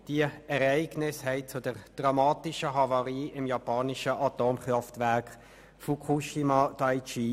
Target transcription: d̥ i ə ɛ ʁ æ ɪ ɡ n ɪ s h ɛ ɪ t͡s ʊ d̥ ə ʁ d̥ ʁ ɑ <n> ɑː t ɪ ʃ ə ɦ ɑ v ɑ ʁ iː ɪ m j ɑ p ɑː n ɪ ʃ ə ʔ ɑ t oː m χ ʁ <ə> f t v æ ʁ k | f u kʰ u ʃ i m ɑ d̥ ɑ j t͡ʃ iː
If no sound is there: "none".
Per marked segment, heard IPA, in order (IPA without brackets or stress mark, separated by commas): m, ɑ